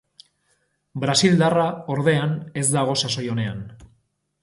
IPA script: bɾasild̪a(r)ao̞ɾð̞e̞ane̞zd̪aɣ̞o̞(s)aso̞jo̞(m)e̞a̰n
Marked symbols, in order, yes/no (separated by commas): yes, yes, no